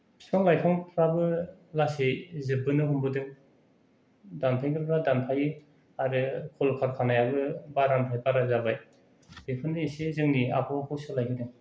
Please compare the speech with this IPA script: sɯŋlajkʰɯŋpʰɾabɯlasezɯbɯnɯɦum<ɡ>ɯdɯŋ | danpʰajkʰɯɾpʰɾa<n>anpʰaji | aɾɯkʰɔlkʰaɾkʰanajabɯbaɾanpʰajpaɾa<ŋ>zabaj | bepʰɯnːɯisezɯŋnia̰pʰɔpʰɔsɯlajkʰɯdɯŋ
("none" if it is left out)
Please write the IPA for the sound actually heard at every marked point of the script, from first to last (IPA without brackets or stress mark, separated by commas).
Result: b, d, none